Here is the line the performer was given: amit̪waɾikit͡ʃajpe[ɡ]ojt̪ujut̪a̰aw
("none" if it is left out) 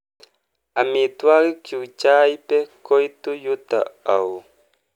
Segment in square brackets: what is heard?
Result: k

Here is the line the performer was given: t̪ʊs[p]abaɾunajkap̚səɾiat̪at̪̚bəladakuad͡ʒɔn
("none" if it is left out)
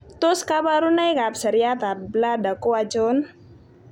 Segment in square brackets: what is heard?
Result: k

